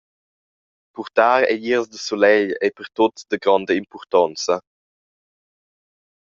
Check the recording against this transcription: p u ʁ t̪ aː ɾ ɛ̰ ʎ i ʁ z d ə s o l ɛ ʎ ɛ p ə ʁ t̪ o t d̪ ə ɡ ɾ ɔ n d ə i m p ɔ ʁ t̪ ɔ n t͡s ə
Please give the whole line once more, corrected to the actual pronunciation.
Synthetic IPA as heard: p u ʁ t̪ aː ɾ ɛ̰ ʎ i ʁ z d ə s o l ɛ ʎ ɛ p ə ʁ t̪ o t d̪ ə ɡ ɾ ɔ n d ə i m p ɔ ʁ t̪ ɔ n t͡s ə